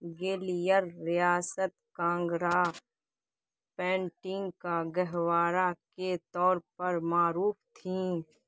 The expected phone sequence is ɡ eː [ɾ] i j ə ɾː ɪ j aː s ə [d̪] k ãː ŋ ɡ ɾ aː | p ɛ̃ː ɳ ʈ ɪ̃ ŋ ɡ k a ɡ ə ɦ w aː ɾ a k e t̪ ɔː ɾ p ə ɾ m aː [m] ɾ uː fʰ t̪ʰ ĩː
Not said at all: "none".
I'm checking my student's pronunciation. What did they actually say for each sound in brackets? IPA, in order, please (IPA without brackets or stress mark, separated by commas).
l, t̪, none